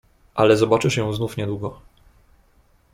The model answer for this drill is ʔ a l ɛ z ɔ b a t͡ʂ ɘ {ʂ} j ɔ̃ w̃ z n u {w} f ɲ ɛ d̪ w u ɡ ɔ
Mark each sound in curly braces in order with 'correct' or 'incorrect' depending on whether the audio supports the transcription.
correct, incorrect: none

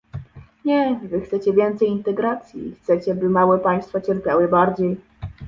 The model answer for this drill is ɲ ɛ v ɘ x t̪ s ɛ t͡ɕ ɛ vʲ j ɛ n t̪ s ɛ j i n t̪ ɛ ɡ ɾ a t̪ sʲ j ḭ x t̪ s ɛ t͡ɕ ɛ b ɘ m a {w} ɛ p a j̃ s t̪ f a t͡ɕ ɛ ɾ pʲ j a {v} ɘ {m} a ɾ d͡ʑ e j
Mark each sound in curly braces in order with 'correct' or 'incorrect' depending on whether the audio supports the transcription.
correct, incorrect: w, incorrect: b

